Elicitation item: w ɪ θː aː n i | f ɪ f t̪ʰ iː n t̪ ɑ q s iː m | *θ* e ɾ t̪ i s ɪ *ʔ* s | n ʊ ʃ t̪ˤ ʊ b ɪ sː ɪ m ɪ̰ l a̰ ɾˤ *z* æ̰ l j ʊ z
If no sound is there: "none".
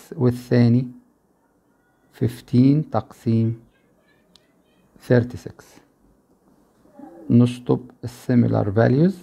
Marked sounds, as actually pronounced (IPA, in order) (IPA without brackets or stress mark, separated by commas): θ, k, v